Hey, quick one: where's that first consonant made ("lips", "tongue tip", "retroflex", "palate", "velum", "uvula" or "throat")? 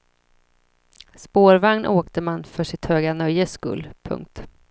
tongue tip